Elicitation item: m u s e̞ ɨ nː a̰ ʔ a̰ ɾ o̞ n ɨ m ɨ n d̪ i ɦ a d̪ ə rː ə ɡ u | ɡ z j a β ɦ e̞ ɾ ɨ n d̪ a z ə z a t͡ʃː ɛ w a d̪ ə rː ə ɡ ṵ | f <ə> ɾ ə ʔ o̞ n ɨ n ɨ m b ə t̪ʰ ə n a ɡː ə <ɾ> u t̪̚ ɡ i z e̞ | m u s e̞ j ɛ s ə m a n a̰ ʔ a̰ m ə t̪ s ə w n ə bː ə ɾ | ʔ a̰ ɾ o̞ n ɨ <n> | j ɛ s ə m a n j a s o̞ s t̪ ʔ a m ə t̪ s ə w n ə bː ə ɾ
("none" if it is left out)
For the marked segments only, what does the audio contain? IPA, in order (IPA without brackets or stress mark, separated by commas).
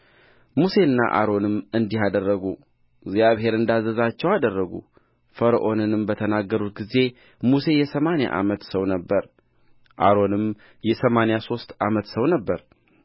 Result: ə, ɾ, m